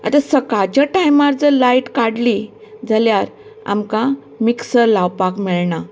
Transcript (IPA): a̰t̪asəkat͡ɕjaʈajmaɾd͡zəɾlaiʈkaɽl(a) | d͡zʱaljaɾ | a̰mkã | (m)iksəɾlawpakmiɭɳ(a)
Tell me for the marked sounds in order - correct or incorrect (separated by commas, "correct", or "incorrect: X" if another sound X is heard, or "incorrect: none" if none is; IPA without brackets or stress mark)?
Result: incorrect: i, correct, correct